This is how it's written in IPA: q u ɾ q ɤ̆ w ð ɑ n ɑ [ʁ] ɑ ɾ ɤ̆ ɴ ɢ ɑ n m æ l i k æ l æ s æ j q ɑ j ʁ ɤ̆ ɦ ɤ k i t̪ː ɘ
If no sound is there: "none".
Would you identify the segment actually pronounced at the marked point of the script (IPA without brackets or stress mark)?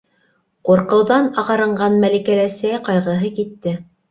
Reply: ʁ